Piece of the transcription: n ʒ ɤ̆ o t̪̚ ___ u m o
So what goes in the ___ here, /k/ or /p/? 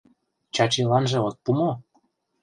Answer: p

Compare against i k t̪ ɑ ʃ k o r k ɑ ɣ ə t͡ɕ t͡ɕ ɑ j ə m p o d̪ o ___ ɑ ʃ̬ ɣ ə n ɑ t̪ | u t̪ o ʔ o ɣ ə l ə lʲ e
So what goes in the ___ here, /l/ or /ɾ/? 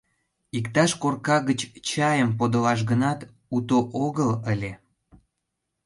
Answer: l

